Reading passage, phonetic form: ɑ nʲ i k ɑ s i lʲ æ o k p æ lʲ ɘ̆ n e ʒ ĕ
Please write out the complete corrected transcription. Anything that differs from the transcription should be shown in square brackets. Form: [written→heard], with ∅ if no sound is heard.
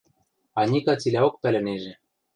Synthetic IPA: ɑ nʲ i k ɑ [s→t͡s] i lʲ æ o k p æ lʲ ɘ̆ n e ʒ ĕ